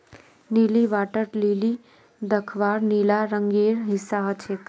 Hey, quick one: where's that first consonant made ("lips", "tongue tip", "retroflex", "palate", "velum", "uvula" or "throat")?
tongue tip